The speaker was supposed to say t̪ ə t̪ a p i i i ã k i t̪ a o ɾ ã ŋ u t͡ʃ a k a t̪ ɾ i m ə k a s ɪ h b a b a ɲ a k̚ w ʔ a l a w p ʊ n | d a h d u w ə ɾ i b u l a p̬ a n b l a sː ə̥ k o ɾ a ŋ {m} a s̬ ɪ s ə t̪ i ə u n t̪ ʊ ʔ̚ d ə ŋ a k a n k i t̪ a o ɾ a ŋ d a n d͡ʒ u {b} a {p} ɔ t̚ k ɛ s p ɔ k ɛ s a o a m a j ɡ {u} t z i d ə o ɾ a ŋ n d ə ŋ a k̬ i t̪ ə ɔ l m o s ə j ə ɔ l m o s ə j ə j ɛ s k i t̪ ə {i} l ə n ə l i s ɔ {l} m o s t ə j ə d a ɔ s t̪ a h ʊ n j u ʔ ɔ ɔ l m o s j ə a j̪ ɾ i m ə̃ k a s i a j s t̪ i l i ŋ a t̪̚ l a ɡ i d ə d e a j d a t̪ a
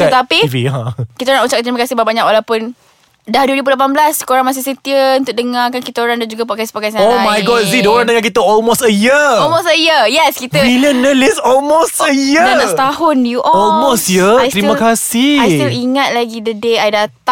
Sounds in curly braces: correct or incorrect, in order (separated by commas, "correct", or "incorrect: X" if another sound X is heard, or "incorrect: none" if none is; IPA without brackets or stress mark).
correct, incorrect: ɡ, correct, incorrect: ɔ, correct, correct